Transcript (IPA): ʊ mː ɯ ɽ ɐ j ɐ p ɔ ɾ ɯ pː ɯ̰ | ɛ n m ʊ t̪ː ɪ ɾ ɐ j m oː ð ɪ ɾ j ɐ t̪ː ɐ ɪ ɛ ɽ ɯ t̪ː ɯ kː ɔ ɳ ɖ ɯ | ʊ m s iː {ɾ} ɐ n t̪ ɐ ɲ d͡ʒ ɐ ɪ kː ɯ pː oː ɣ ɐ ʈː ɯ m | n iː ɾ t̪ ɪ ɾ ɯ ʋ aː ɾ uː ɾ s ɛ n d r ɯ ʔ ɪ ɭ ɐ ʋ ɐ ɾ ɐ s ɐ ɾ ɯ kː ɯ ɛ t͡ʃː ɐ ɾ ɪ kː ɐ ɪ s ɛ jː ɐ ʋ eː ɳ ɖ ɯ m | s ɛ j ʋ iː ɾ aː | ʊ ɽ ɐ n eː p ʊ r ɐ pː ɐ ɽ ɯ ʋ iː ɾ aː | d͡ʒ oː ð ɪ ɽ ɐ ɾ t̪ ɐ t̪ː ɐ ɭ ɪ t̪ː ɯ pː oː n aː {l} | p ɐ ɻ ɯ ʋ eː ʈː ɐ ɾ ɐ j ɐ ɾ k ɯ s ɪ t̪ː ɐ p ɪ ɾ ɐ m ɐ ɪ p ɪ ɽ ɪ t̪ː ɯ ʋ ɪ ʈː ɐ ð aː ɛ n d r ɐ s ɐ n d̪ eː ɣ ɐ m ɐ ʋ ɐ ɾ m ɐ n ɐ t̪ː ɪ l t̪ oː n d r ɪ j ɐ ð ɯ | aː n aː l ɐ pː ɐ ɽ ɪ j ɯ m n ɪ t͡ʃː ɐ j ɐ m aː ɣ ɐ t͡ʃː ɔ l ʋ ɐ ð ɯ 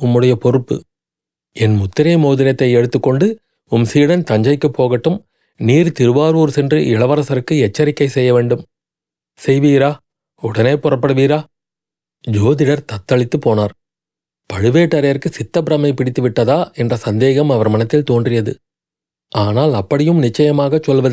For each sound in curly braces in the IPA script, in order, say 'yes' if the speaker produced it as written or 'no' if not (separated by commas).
no, no